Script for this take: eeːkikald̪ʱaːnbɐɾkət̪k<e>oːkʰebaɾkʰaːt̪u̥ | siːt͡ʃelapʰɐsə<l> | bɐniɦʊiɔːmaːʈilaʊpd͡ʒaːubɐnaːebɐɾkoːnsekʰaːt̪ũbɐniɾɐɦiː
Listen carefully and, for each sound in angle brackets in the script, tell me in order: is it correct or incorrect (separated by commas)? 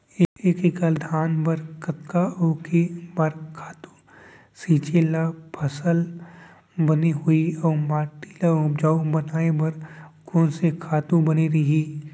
incorrect, correct